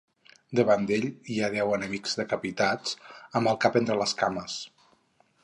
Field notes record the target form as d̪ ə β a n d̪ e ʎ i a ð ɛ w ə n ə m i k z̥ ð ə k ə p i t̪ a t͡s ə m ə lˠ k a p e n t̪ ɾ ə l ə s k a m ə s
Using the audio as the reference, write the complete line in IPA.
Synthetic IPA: d̪ ə β a n d̪ e ʎ i a ð ɛ w ə n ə m i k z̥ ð ə k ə p i t̪ a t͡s ə m ə lˠ k a p e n t̪ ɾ ə l ə s k a m ə s